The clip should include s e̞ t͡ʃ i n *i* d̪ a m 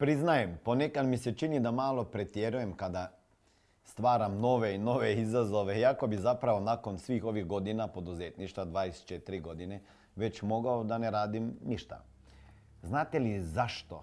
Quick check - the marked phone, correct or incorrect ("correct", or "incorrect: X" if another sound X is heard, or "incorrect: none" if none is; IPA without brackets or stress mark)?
correct